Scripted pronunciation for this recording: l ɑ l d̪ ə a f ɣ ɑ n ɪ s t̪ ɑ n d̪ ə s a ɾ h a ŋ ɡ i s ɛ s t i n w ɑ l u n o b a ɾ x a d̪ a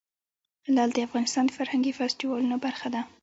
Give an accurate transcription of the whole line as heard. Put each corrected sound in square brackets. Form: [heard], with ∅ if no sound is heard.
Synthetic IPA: l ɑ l d̪ ə a f ɣ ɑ n ɪ s t̪ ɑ n d̪ ə [f] a ɾ h a ŋ ɡ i [f] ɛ s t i [∅] w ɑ l u n o b a ɾ x a d̪ a

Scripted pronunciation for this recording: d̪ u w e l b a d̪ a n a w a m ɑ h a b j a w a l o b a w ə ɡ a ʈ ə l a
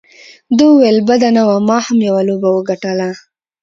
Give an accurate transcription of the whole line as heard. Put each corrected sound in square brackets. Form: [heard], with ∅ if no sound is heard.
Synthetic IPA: d̪ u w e l b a d̪ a n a w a m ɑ h a [m] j a w a l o b a w ə ɡ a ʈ ə l a

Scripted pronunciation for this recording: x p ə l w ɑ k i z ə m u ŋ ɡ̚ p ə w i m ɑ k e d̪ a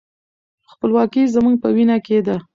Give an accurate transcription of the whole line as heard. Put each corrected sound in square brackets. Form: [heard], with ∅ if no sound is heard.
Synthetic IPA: x p ə l w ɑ k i z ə m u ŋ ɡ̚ p ə w i [n] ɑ k e d̪ a

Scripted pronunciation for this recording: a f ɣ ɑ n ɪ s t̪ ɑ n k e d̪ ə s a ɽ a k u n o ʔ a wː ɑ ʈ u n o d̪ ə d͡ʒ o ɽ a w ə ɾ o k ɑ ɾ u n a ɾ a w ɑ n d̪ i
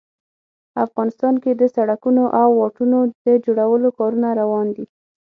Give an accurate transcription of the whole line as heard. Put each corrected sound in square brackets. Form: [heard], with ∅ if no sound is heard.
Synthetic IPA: a f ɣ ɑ n ɪ s t̪ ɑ n k e d̪ ə s a ɽ a k u n o ʔ a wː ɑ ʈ u n o d̪ ə d͡ʒ o ɽ a w ə [l] o k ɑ ɾ u n a ɾ a w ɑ n d̪ i

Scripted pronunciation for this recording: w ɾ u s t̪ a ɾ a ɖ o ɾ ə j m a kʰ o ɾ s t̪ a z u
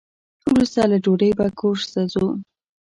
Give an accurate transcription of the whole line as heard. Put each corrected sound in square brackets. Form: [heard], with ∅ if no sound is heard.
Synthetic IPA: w ɾ u s t̪ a [l] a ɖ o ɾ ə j [b] a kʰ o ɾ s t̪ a z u

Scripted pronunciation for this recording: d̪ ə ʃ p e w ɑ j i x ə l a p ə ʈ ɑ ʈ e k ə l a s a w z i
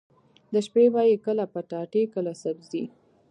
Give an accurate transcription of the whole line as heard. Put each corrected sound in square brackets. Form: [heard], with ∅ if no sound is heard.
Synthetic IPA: d̪ ə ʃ p e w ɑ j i [k] ə l a p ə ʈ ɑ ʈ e k ə l a s a [b] z i

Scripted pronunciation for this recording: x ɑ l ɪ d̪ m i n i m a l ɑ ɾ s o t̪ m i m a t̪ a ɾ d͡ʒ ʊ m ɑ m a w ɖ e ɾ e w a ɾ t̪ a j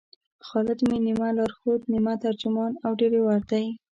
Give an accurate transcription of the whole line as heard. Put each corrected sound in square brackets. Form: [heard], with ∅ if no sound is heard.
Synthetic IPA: x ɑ l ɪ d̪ m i n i m a l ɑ ɾ [x] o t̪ [n] i m a t̪ a ɾ d͡ʒ ʊ m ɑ [n] a w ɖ e ɾ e w a ɾ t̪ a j

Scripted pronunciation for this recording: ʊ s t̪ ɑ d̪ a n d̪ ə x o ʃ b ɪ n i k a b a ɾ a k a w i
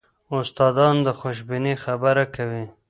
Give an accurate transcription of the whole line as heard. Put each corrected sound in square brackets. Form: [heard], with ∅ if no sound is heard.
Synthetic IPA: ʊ s t̪ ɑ d̪ [ɑ] n d̪ ə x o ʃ b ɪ n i [x] a b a ɾ a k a w i

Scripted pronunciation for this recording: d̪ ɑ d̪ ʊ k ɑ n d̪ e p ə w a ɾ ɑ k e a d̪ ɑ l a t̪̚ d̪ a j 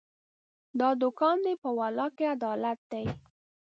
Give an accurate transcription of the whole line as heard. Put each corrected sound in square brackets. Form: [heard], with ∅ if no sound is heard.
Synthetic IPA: d̪ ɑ d̪ ʊ k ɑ n d̪ e p ə w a [l] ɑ k e a d̪ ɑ l a t̪̚ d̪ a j

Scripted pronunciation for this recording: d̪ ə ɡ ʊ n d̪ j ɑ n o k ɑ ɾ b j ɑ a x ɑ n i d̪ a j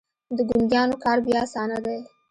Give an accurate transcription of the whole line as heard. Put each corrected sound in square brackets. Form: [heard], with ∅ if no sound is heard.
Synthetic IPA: d̪ ə ɡ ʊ n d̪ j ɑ n o k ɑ ɾ b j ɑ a [s] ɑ n [a] d̪ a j

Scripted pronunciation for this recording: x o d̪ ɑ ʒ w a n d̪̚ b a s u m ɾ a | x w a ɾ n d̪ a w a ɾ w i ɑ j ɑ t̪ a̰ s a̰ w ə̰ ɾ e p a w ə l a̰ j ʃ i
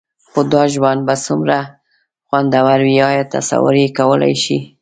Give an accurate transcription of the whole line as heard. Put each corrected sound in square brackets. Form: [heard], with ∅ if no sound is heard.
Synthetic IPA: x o d̪ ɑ ʒ w a n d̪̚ b a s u m ɾ a | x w a [∅] n d̪ a w a ɾ w i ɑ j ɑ t̪ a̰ s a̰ w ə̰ ɾ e [k] a w ə l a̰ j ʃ i

